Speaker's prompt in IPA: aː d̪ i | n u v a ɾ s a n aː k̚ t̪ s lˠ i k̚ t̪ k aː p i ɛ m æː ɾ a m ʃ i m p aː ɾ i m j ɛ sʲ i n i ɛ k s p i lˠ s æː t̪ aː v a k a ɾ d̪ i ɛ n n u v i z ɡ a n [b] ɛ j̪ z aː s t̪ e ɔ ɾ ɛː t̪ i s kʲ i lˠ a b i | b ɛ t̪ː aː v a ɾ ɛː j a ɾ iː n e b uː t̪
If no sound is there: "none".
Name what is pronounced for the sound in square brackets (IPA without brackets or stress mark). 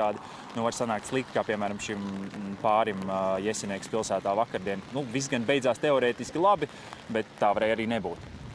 b